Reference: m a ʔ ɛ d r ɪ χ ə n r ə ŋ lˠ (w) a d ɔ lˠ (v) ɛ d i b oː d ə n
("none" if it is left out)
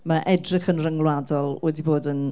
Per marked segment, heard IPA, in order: w, w

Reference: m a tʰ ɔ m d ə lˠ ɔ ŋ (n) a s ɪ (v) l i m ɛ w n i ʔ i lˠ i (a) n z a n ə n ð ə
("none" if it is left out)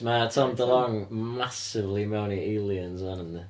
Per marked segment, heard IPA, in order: m, v, ə

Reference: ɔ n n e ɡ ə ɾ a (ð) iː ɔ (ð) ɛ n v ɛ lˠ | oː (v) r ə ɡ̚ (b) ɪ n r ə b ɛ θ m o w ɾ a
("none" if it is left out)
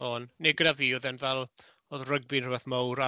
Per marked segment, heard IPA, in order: v, ð, ð, b

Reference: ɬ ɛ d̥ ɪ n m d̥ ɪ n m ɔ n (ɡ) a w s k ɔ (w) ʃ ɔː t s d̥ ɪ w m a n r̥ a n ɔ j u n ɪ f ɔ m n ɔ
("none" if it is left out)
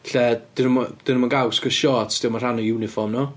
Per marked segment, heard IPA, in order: ɡ, none

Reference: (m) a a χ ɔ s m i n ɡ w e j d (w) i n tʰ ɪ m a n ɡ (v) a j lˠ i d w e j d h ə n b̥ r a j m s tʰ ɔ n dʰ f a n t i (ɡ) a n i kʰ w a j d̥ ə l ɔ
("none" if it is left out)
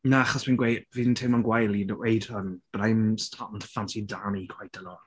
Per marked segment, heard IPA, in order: n, v, w, d

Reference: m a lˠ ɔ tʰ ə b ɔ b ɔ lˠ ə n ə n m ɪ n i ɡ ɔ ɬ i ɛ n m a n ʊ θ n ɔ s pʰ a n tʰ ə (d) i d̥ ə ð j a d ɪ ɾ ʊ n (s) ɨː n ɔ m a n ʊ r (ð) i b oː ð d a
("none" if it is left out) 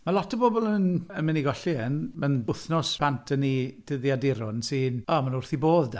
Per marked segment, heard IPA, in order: n, s, θ

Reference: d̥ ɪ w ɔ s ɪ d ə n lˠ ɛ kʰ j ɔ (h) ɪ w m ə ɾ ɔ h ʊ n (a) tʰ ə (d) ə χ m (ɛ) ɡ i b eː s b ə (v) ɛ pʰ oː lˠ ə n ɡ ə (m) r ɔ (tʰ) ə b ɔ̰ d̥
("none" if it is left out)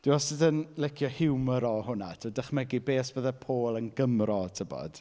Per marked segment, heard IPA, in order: h, a, d, ɛ, ð, m, tʰ

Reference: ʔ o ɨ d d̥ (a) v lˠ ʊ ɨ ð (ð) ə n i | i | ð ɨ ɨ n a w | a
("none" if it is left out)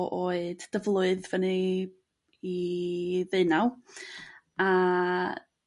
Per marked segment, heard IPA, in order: ə, v

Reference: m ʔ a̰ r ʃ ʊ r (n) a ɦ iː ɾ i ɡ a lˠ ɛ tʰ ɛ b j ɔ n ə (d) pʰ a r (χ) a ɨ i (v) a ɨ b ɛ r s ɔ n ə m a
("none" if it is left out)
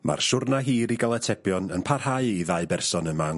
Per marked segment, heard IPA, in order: n, n, h, ð

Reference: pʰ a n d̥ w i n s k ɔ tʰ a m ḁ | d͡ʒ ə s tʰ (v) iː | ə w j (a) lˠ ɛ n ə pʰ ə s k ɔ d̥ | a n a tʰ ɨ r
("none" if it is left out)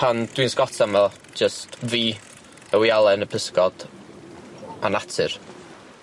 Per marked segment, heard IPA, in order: v, a

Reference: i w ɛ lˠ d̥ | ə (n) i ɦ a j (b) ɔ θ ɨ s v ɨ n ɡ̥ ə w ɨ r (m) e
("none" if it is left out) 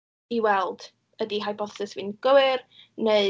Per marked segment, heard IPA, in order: d, b, n

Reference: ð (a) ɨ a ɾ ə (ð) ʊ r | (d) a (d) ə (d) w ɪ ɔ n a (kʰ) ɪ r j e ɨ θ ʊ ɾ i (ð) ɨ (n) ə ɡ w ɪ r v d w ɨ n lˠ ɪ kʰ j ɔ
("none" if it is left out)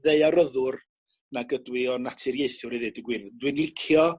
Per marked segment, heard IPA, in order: e, ð, n, ɡ, d, tʰ, ð, d

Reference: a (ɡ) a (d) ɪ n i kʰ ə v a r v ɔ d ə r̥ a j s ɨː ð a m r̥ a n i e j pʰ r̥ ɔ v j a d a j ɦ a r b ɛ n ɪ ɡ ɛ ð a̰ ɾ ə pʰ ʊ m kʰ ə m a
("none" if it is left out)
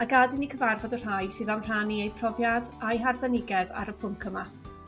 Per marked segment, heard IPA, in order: ɡ, d

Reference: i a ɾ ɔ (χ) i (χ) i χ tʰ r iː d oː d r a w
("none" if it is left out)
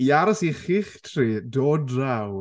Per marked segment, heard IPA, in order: s, χ

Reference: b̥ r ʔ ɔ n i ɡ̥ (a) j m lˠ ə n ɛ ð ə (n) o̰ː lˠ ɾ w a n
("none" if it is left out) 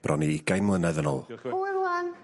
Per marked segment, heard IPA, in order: a, n

